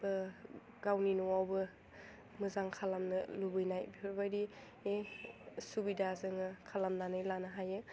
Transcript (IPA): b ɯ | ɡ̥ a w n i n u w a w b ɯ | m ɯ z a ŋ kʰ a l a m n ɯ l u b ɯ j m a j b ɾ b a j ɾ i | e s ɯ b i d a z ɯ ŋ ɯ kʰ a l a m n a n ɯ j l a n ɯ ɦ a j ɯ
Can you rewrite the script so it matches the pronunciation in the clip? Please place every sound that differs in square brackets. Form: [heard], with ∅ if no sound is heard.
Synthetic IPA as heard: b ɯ | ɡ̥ a w n i n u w a w b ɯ | m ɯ z a ŋ kʰ a l a m n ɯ l u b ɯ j [n] a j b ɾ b a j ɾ i | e s [u] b i d a z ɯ ŋ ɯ kʰ a l a m n a n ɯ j l a n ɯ ɦ a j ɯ